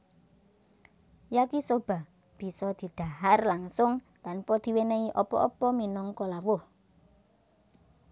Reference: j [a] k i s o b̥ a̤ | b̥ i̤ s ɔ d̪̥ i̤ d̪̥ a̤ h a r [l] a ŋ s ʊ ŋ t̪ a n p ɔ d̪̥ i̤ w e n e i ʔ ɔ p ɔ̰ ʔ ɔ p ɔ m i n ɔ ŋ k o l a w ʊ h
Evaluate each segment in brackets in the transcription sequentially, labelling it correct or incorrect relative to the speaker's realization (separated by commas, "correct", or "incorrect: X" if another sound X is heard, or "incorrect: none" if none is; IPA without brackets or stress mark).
correct, correct